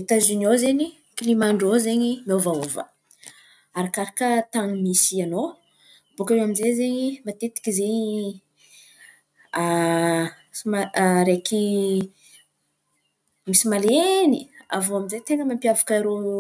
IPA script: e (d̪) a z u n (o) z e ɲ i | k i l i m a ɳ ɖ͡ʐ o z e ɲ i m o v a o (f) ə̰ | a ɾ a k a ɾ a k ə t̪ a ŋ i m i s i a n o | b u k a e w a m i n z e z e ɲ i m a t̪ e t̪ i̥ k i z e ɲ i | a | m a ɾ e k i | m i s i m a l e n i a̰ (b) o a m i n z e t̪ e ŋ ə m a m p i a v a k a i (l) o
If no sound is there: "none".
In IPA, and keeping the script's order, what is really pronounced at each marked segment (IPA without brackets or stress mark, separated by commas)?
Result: t̪, o, v, v, ɾ